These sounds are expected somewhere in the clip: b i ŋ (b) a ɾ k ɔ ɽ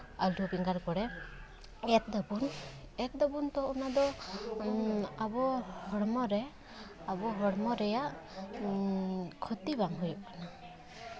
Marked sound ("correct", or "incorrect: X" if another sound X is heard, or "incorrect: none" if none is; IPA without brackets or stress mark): incorrect: ɡ